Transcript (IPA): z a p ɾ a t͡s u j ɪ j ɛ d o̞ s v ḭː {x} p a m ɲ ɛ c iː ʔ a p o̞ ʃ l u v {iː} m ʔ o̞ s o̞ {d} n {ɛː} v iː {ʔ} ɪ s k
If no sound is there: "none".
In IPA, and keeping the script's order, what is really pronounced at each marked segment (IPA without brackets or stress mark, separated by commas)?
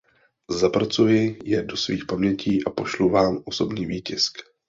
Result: x, aː, b, iː, c